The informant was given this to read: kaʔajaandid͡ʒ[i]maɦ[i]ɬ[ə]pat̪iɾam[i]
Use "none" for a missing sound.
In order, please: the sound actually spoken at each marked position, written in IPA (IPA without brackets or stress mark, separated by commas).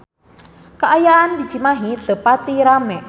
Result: i, i, ə, ɛ